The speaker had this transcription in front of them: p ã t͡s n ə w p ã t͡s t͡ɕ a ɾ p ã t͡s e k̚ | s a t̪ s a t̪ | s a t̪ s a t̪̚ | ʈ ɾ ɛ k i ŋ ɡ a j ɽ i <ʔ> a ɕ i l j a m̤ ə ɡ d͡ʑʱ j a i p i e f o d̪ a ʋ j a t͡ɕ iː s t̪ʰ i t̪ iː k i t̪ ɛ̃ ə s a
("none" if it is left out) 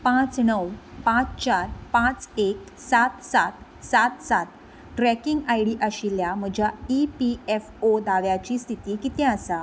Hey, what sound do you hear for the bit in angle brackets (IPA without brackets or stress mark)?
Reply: ʔ